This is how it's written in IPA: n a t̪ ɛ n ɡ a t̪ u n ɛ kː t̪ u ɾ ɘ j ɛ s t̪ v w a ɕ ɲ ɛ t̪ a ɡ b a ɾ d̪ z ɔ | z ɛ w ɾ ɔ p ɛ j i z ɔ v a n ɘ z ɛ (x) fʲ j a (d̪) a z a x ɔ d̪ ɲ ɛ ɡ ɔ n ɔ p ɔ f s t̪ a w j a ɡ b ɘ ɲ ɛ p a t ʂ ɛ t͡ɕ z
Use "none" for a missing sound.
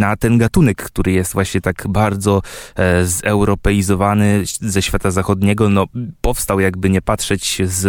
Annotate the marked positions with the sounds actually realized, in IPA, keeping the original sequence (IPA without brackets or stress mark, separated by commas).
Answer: ɕ, t̪